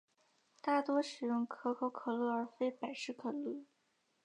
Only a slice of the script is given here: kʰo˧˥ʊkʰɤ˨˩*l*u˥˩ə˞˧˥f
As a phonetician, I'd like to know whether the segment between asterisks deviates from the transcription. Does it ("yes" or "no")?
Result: no